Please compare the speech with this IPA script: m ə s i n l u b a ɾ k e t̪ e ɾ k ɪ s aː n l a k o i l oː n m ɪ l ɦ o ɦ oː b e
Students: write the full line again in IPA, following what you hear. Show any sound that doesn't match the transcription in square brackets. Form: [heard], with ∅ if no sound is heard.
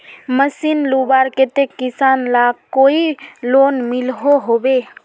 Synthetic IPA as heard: m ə s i n l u b a ɾ k e t̪ e [∅] k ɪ s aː n l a k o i l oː n m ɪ l ɦ o ɦ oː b e